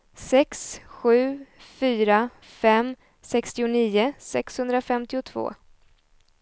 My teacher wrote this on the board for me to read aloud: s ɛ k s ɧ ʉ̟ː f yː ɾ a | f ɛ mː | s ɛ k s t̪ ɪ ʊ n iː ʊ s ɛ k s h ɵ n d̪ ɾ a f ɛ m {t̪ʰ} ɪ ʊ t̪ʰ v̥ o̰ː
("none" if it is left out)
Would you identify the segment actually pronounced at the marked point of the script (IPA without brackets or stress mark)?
t̪